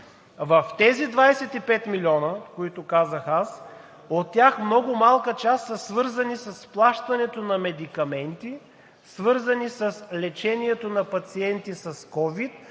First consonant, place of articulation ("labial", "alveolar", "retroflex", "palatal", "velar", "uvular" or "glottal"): labial